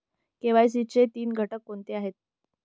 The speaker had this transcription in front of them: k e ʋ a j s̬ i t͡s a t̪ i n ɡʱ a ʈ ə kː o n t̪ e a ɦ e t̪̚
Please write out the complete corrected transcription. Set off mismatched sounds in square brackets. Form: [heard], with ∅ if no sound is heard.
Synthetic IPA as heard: k e ʋ a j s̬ i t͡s [e] t̪ [iː] n ɡʱ [ə] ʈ ə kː o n t̪ e a ɦ e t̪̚